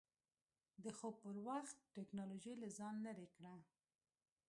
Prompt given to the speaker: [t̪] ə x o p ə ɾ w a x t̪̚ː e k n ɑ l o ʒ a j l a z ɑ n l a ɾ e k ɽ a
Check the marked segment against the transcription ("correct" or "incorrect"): incorrect